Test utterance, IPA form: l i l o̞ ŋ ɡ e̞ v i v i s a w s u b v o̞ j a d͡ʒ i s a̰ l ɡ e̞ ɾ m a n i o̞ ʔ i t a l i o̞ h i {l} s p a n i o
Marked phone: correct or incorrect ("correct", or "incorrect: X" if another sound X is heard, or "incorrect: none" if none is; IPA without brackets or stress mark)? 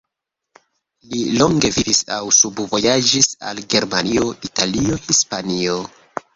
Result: incorrect: none